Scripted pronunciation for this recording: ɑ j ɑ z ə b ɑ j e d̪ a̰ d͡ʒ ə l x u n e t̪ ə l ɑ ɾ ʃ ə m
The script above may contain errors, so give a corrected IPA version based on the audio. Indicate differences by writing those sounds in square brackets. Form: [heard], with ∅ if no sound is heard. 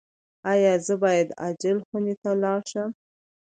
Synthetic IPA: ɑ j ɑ z ə b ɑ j [a] d̪ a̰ d͡ʒ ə l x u n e t̪ [a] l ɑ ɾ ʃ ə m